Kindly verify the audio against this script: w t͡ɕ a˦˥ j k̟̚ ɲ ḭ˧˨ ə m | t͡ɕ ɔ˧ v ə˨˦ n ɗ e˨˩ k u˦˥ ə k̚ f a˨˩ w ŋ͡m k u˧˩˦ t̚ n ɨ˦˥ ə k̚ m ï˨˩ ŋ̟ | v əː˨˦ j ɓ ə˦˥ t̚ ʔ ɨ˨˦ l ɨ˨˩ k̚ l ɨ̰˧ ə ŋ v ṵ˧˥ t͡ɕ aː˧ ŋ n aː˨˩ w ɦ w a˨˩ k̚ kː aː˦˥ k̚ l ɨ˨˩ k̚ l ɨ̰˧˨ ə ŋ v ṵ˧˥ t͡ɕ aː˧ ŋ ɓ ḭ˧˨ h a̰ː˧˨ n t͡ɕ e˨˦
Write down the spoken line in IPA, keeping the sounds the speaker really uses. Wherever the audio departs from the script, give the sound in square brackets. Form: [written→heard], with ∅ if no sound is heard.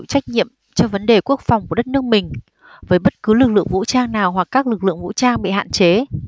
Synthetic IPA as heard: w t͡ɕ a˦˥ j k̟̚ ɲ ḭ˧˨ ə m | t͡ɕ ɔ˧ v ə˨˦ n ɗ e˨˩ k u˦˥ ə k̚ f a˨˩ w ŋ͡m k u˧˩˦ t̚ n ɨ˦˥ ə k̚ m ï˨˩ ŋ̟ | v əː˨˦ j ɓ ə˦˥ t̚ [ʔ→k] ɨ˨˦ l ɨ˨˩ k̚ l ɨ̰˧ ə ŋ v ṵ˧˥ t͡ɕ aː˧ ŋ n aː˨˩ w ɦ w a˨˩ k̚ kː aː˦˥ k̚ l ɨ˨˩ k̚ l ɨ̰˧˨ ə ŋ v ṵ˧˥ t͡ɕ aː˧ ŋ ɓ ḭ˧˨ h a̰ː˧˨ n t͡ɕ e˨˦